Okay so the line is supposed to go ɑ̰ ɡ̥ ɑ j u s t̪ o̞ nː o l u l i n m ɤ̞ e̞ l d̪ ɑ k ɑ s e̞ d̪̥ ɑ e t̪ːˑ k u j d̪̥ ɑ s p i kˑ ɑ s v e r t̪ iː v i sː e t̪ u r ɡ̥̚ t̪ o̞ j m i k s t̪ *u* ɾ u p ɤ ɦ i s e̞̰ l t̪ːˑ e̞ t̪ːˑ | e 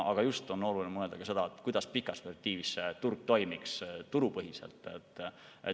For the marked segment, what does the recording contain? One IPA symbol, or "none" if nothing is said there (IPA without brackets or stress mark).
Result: u